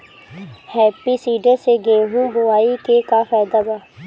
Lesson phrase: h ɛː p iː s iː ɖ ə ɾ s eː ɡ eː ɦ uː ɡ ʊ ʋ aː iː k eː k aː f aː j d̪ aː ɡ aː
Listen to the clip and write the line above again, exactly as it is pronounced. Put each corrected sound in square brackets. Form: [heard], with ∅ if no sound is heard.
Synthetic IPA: h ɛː p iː s iː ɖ ə ɾ s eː ɡ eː ɦ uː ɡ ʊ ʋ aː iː k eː k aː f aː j d̪ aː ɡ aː